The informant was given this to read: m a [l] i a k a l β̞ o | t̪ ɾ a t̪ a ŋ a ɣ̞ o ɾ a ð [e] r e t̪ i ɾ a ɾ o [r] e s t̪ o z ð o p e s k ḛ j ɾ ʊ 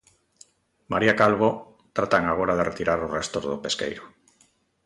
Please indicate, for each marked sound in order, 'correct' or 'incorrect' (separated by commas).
incorrect, correct, correct